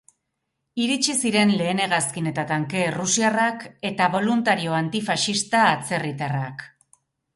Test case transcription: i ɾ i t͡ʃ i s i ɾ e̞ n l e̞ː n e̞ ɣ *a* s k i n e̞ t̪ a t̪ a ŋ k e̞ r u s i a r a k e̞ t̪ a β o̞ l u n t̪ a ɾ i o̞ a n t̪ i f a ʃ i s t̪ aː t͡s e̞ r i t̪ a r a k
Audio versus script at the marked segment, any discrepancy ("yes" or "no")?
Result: no